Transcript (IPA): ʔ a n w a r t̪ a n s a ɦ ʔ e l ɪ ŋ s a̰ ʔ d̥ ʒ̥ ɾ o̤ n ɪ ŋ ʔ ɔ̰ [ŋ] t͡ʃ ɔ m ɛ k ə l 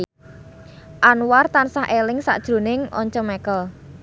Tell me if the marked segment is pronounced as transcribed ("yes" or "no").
no